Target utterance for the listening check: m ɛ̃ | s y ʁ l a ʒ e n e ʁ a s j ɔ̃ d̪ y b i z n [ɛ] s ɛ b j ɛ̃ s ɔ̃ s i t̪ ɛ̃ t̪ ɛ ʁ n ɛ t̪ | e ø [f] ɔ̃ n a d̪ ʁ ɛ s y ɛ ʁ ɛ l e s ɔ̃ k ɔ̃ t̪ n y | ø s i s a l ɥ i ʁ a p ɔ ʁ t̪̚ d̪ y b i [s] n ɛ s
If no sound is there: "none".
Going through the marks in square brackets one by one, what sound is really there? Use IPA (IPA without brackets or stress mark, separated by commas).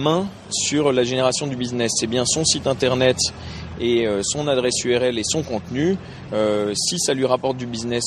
ɛ, s, z